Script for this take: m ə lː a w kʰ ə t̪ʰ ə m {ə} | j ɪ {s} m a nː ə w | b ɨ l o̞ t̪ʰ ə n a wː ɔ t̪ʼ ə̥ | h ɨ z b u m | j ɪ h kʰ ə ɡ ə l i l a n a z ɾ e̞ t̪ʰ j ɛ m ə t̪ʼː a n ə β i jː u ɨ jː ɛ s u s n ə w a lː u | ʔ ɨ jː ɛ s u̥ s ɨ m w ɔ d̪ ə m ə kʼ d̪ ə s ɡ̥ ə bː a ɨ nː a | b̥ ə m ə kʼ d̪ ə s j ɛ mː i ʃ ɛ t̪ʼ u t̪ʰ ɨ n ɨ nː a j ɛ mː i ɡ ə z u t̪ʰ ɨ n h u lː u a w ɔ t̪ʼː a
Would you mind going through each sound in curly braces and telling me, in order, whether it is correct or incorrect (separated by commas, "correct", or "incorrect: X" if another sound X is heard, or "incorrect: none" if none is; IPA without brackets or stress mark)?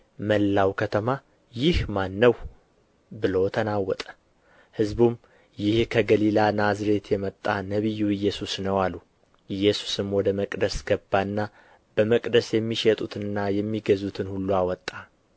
incorrect: a, incorrect: h